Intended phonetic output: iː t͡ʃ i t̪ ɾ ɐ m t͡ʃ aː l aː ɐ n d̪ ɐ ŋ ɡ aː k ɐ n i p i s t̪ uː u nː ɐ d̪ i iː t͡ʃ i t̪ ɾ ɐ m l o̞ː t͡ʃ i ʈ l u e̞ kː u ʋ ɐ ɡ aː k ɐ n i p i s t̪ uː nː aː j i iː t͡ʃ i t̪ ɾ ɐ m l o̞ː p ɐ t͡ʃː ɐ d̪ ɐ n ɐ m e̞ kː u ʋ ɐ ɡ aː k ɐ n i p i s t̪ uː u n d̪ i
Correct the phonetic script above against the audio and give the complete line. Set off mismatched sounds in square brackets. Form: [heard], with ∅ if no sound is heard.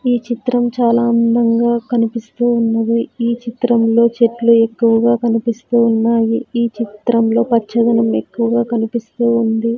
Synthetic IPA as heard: iː t͡ʃ i t̪ ɾ ɐ m t͡ʃ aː l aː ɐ n d̪ ɐ ŋ ɡ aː k ɐ n i p i s t̪ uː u nː ɐ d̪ i iː t͡ʃ i t̪ ɾ ɐ m l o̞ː t͡ʃ [e] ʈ l u e̞ kː u ʋ ɐ ɡ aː k ɐ n i p i s t̪ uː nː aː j i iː t͡ʃ i t̪ ɾ ɐ m l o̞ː p ɐ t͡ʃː ɐ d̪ ɐ n ɐ m e̞ kː u ʋ ɐ ɡ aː k ɐ n i p i s t̪ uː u n d̪ i